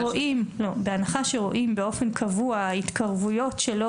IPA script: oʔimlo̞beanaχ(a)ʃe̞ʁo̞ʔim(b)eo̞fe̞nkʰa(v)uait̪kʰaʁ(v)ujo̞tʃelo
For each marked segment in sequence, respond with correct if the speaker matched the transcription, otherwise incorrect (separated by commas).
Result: correct, correct, correct, correct